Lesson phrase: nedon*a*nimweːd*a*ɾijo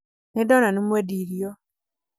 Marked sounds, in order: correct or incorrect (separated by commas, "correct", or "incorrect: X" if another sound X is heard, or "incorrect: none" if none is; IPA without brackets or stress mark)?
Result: correct, incorrect: i